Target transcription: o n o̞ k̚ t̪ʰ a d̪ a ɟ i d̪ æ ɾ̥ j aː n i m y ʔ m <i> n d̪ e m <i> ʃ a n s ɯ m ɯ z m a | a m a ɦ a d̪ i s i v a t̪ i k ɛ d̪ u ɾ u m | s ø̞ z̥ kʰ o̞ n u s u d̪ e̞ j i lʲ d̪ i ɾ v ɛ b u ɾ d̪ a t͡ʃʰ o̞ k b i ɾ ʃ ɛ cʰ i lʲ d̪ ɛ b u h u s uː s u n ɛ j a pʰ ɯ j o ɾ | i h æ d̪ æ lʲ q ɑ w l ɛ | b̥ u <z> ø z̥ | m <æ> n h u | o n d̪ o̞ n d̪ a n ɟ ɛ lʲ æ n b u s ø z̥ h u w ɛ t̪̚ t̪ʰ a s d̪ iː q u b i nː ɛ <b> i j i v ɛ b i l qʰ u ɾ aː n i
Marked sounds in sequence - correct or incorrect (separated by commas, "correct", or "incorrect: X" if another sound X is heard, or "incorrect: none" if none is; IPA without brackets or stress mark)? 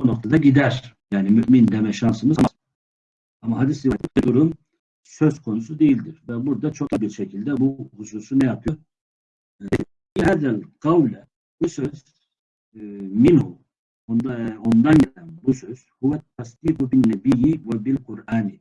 correct, incorrect: ɛ, incorrect: s, incorrect: i, correct